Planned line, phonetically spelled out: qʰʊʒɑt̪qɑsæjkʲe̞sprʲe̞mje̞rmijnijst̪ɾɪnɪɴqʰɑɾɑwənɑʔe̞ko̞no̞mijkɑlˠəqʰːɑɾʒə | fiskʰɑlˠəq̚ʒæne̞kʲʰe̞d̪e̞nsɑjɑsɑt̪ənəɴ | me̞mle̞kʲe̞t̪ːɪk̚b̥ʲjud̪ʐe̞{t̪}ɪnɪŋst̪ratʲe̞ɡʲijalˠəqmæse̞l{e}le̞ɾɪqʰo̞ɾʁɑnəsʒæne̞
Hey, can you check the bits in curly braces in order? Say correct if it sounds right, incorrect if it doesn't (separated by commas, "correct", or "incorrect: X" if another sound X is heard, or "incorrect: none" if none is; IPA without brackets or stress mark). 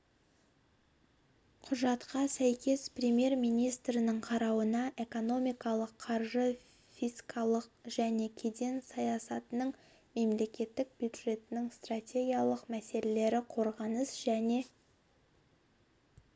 correct, correct